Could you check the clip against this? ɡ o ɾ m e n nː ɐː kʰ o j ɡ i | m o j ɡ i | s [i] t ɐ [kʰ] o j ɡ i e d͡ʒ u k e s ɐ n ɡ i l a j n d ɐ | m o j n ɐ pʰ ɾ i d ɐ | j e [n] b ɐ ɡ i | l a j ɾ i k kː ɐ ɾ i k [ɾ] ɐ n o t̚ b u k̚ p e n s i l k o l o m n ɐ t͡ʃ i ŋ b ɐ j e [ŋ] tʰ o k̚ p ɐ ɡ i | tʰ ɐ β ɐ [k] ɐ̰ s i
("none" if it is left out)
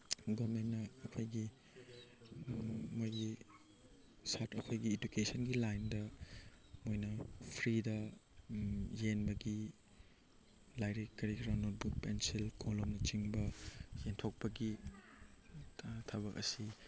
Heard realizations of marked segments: a, kʰ, n, ɾ, n, k

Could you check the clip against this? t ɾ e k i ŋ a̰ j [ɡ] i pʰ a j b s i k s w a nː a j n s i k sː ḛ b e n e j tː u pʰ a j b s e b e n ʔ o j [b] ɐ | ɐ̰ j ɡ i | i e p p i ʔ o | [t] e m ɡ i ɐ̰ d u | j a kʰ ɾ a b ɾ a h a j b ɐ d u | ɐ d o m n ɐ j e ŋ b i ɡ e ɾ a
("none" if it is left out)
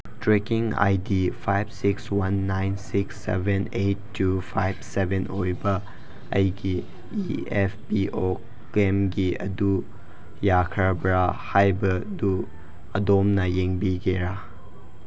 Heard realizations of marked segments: d, b, k

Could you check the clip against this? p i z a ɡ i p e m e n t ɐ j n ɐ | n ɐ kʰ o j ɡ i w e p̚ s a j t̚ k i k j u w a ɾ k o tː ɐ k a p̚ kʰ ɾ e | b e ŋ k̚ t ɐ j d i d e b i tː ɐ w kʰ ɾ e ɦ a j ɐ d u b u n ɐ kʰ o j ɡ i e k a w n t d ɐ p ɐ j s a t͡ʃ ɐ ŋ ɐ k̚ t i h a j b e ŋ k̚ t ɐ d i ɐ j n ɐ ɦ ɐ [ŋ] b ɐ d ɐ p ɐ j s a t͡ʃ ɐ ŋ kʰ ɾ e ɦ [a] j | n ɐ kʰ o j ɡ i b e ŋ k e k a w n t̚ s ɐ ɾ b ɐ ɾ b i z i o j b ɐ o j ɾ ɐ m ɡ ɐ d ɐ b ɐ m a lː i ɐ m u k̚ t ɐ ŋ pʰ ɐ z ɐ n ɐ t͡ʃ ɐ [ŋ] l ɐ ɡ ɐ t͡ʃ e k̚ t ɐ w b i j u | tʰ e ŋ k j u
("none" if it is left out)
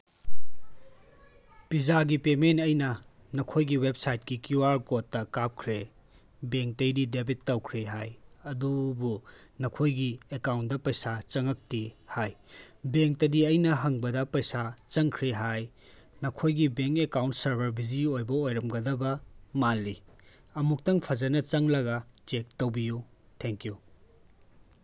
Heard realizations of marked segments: ŋ, a, ŋ

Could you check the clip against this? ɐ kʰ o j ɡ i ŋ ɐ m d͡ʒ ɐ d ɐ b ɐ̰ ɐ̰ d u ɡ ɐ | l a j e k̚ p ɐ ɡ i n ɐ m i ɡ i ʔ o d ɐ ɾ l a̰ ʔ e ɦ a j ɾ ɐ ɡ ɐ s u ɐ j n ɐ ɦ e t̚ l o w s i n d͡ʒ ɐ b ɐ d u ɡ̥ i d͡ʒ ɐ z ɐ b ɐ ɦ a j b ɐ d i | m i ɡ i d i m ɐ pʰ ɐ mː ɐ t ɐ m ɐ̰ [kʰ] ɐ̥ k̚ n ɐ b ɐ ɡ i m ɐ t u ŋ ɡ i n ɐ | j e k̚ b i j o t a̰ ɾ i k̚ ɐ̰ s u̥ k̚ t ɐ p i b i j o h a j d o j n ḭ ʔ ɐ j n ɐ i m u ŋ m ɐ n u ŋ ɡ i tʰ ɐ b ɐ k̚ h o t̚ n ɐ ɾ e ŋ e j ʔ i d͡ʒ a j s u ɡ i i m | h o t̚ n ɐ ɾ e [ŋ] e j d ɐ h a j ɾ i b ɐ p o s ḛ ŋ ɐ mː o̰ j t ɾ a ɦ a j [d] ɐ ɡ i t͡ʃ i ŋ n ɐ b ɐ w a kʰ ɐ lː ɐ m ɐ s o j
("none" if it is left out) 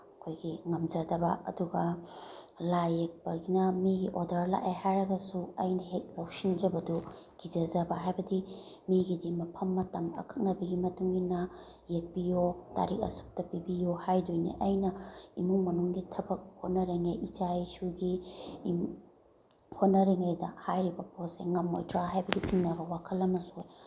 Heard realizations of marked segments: kʰ, ŋ, b

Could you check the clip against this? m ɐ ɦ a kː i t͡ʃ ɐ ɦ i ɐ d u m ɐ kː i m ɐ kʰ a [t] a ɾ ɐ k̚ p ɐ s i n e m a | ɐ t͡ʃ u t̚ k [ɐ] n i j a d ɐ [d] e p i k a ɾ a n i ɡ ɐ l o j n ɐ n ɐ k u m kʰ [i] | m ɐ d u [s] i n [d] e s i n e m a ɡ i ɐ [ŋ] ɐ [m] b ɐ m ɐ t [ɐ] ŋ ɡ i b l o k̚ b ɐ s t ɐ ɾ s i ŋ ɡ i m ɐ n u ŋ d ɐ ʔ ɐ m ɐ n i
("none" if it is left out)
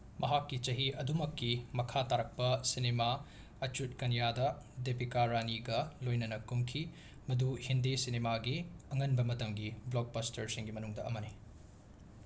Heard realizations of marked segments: t, ɐ, d, i, h, d, ŋ, n, ɐ

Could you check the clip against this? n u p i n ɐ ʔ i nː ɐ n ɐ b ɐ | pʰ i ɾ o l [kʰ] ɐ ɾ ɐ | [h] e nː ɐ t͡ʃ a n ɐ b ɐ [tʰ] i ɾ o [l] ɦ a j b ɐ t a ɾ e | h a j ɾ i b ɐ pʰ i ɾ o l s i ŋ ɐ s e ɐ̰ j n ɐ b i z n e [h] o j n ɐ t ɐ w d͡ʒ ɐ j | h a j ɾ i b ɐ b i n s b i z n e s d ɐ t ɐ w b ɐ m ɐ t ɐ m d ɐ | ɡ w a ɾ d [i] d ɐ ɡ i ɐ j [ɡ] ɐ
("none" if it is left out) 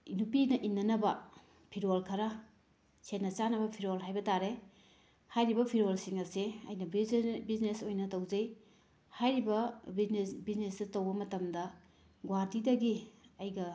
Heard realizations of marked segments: kʰ, s, pʰ, l, s, i, ɡ

